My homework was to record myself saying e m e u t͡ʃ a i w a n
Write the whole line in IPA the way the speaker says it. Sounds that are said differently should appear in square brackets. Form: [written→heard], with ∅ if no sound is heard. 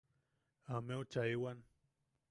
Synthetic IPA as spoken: [e→a] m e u t͡ʃ a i w a n